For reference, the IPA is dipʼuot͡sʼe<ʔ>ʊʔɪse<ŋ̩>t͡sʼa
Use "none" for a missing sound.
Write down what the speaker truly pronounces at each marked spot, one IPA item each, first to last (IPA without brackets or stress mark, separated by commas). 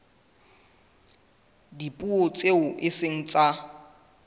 none, ŋ̩